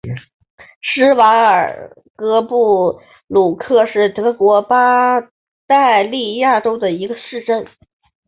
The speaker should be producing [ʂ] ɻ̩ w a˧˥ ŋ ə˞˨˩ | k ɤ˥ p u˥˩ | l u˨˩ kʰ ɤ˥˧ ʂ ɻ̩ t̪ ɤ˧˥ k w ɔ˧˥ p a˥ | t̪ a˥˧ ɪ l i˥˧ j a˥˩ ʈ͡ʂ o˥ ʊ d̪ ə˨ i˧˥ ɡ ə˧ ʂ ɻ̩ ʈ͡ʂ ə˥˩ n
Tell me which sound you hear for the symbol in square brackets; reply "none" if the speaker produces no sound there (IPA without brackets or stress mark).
ʂ